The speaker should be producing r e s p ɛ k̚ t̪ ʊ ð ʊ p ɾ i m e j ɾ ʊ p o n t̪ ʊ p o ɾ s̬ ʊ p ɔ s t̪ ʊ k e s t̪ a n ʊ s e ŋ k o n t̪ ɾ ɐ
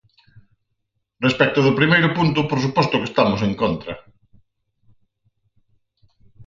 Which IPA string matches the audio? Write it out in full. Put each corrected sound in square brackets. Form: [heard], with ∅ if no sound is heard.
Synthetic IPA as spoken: r e s p ɛ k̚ t̪ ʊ ð ʊ p ɾ i m e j ɾ ʊ p [u] n t̪ ʊ p o ɾ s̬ [u] p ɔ s t̪ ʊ k e s t̪ a [m] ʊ s e ŋ k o n t̪ ɾ ɐ